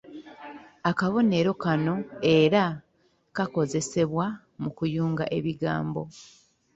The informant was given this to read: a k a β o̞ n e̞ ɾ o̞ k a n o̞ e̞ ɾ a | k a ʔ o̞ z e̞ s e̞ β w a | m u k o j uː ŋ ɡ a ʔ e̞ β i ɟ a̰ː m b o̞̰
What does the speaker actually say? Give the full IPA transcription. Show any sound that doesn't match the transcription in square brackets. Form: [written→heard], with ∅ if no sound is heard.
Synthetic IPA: a k a β o̞ n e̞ ɾ o̞ k a n o̞ e̞ ɾ a | k a [ʔ→k] o̞ z e̞ s e̞ β w a | m u k [o→u] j uː ŋ ɡ a ʔ e̞ β i [ɟ→ɡ] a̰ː m b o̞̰